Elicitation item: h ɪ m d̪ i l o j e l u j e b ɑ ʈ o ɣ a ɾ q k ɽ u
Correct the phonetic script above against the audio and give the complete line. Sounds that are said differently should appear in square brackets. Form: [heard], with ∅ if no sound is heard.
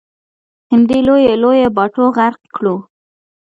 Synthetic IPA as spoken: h ɪ m d̪ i l o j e l [o] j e b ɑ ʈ o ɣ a ɾ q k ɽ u